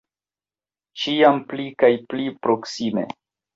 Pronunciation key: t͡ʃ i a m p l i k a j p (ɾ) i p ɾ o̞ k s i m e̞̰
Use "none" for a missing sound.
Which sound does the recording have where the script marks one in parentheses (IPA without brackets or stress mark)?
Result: l